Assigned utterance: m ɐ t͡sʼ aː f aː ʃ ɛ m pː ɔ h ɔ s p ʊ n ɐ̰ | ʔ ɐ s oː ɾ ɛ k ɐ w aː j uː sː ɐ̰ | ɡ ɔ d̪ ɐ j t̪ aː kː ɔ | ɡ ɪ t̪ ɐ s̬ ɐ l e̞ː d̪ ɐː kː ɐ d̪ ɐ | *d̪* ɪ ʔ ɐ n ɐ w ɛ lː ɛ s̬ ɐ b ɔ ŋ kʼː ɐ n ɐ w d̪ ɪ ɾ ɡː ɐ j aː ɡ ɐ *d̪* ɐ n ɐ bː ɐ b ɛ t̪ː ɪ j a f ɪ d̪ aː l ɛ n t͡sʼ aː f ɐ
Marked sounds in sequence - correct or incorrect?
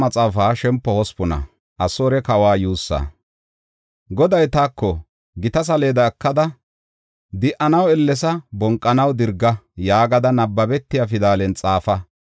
correct, correct

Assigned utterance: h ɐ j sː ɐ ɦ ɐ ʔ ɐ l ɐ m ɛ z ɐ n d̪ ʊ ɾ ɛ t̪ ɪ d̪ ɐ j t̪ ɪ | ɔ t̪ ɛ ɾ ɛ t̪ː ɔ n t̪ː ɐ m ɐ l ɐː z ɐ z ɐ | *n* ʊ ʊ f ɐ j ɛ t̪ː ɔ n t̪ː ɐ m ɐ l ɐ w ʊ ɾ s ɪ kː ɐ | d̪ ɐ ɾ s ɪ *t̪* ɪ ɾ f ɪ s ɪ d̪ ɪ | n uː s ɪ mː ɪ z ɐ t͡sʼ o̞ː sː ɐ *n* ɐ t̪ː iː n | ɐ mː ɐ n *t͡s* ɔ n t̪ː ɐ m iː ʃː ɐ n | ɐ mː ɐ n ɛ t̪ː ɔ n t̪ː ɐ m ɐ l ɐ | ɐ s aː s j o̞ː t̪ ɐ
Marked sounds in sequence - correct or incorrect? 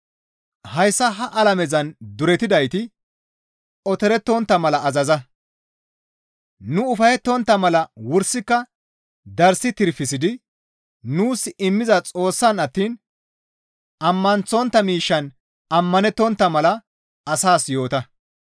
correct, correct, correct, correct

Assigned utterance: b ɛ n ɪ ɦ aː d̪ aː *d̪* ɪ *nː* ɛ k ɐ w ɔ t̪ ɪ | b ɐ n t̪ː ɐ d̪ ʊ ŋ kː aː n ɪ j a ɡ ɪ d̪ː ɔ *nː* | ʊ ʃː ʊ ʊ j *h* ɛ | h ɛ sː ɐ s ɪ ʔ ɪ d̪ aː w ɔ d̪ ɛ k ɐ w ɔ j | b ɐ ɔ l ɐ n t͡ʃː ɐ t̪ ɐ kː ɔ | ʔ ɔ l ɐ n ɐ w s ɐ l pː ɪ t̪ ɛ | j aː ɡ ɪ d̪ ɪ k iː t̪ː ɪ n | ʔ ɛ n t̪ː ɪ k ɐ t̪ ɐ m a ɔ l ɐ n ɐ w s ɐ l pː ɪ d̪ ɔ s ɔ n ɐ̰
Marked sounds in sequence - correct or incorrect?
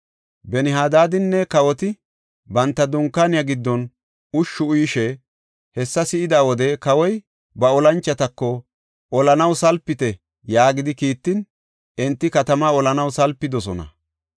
correct, correct, incorrect: n, incorrect: ʃ

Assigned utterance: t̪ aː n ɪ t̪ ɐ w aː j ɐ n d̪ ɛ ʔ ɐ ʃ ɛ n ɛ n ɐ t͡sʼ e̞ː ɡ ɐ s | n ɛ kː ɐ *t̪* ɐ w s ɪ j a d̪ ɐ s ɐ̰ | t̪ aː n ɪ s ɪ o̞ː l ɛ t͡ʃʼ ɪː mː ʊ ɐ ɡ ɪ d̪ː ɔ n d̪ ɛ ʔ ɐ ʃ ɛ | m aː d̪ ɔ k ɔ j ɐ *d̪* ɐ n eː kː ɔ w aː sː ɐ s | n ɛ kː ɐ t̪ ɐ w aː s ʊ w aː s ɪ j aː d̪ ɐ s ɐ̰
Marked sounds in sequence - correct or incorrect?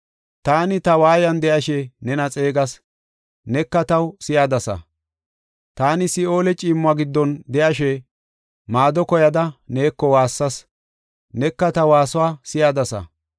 correct, correct

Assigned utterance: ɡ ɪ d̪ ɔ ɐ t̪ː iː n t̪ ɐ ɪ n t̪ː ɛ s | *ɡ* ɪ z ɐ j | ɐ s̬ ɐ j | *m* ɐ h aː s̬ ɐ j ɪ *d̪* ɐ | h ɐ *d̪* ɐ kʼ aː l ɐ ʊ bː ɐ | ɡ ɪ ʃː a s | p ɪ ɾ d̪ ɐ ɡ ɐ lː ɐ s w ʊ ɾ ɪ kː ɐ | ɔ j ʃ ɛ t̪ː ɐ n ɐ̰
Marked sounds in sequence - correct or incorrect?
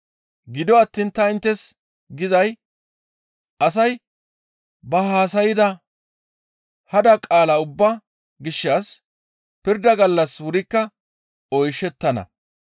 correct, incorrect: b, correct, correct

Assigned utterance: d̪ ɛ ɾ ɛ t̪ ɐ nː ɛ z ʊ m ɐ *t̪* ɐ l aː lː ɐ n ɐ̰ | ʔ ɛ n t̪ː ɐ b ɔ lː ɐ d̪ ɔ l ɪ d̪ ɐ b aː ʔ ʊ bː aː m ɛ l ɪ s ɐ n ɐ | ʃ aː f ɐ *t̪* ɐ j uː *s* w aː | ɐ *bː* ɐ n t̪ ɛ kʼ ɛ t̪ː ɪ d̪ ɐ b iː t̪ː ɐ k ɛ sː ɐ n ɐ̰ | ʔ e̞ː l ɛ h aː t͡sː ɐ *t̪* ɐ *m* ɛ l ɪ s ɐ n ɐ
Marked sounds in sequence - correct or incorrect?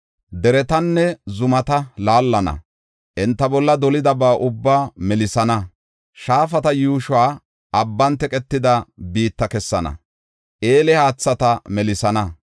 correct, correct, incorrect: ʃ, correct, correct, correct

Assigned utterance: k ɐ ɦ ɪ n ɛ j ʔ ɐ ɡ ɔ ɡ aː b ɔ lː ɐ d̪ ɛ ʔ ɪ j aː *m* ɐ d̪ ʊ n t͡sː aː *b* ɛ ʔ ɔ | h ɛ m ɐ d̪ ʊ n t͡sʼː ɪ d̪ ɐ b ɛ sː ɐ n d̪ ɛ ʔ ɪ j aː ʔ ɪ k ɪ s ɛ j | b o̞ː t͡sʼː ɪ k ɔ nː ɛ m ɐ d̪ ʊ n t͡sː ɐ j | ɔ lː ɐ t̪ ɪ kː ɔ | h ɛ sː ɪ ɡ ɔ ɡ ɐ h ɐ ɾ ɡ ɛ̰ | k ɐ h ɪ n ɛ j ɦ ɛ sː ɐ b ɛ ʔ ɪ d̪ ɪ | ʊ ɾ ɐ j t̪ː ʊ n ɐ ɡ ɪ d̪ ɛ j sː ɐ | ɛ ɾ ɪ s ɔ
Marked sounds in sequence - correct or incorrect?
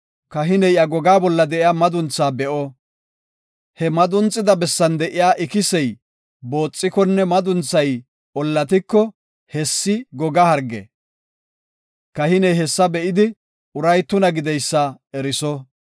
correct, correct

